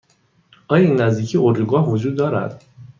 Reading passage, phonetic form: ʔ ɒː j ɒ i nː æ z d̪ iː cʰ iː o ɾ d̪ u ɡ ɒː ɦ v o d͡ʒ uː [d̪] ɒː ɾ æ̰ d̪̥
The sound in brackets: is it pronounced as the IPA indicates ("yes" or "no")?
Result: no